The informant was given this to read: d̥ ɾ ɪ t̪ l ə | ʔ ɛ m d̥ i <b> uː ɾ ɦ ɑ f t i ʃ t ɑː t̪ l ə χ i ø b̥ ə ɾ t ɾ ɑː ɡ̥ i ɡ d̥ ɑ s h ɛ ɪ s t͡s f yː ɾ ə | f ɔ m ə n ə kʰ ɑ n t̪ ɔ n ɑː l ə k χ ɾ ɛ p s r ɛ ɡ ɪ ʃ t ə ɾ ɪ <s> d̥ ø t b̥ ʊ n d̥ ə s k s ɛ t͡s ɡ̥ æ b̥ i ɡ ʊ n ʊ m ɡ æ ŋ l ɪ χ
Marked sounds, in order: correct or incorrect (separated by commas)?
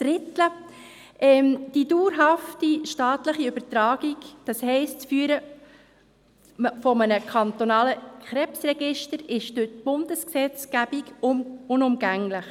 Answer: incorrect, incorrect